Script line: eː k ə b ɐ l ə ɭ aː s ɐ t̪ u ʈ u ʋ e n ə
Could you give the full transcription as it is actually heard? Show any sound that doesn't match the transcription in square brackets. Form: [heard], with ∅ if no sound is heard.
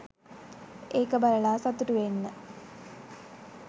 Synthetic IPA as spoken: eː k ə b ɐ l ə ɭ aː s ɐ t̪ u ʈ u ʋ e [nː] ə